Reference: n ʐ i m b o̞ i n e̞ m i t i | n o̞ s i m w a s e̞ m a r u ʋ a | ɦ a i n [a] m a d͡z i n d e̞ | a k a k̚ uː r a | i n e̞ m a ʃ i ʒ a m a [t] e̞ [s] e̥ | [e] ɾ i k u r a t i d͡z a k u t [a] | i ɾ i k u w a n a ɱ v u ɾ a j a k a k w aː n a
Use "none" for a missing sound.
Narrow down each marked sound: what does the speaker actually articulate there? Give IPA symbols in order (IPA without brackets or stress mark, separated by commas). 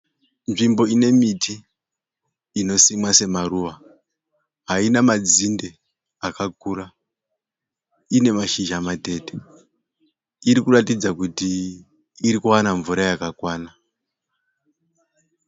a, t, t, i, i